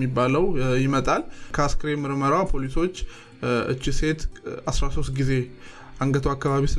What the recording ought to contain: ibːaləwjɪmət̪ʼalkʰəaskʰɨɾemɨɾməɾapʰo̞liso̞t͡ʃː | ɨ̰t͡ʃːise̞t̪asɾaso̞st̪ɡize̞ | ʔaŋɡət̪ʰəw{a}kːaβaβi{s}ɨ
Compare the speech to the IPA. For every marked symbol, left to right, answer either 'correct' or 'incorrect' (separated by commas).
correct, correct